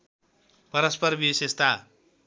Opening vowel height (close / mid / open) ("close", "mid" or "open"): mid